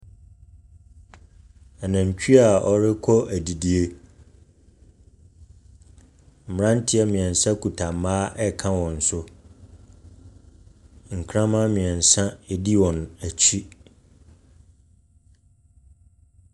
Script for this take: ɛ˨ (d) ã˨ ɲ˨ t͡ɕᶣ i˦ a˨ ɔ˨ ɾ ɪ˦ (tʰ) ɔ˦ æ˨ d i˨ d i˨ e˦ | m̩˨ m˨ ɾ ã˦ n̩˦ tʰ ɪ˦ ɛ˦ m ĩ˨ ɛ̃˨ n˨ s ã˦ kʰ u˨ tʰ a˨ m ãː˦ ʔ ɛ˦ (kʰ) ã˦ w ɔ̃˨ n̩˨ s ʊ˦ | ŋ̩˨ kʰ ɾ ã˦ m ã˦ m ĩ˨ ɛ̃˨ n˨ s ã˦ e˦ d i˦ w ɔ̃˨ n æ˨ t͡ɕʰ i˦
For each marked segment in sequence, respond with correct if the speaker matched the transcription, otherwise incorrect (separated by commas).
incorrect, incorrect, correct